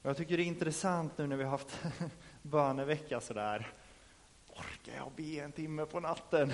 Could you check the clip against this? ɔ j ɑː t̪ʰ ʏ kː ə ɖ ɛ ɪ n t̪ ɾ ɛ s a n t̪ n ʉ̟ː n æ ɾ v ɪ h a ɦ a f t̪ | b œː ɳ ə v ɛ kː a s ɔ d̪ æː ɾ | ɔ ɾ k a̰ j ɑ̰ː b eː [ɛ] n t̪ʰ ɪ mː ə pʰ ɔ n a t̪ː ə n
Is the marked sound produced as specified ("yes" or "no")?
yes